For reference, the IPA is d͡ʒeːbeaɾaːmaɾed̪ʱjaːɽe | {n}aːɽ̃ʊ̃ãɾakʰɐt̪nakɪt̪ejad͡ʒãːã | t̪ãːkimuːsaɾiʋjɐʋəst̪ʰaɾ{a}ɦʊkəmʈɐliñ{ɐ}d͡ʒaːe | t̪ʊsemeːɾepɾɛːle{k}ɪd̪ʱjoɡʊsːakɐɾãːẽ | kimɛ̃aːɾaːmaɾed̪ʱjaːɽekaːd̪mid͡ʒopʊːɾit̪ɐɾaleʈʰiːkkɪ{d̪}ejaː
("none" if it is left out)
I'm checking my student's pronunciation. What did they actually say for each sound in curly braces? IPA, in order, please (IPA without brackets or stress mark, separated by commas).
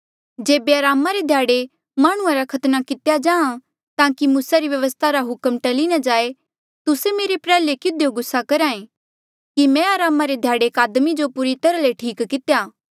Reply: m, a, a, k, t̪